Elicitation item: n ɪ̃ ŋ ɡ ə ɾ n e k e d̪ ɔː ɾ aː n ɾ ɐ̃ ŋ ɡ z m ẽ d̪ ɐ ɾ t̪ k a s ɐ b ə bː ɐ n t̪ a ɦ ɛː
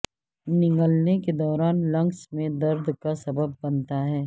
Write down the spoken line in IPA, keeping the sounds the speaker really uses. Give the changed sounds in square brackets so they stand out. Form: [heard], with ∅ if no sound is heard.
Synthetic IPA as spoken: n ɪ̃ ŋ ɡ ə [l] n e k e d̪ ɔː ɾ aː n [l] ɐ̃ ŋ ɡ [s] m ẽ d̪ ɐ ɾ [d̪] k a s ɐ b ə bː ɐ n t̪ a ɦ ɛː